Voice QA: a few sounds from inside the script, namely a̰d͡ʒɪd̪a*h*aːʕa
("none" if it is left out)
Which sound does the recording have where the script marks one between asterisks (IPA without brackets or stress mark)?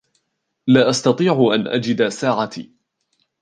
s